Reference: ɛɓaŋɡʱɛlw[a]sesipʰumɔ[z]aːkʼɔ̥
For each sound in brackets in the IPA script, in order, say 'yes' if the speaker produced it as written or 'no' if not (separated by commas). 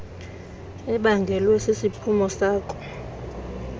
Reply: no, no